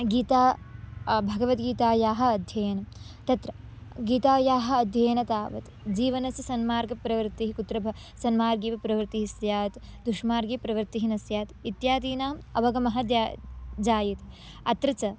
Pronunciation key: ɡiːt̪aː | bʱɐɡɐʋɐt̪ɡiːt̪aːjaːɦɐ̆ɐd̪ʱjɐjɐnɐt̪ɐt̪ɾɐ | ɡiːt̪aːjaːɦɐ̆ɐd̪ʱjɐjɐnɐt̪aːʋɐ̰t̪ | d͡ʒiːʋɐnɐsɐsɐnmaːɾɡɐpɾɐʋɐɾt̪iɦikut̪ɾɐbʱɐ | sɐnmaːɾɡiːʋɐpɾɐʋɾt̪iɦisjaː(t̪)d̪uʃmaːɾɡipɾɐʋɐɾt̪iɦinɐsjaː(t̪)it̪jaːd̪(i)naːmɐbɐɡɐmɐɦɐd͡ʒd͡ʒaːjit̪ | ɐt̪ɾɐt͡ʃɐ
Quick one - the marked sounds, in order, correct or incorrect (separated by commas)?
correct, correct, incorrect